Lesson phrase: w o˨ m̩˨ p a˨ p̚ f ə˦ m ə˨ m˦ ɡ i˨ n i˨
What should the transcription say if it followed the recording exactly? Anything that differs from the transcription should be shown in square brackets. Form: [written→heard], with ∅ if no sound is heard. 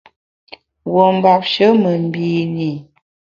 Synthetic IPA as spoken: w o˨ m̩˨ [p→b] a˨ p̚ [f→ʃ] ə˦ m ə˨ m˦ [ɡ→b] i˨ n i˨